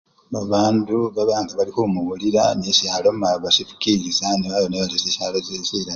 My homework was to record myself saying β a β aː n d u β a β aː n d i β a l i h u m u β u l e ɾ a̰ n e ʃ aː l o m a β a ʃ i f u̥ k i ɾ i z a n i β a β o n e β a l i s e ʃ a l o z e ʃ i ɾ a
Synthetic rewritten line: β a β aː n d u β a β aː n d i β a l i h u m u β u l i ɾ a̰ n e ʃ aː l o m a β a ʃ i f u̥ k i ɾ i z a n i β a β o n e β a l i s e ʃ a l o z e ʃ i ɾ a